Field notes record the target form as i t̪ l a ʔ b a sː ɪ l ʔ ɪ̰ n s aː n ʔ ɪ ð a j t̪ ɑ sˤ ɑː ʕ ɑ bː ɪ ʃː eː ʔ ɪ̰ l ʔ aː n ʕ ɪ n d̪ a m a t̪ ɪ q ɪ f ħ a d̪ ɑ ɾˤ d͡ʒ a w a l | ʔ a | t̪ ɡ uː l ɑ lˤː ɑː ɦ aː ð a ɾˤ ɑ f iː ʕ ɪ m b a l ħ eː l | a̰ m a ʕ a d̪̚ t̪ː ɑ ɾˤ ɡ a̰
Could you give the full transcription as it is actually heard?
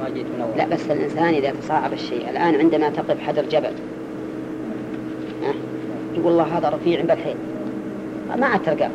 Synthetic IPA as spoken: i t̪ l a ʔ b a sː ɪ l ʔ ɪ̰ n s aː n ʔ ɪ ð a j t̪ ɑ sˤ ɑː ʕ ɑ b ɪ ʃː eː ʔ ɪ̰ l ʔ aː n ʕ ɪ n d̪ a m a t̪ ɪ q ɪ f ħ a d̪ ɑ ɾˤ d͡ʒ a b a l | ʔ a | t̪ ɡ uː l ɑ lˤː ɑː ɦ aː ð a ɾˤ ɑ f iː ʕ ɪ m b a l ħ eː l | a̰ m a ʕ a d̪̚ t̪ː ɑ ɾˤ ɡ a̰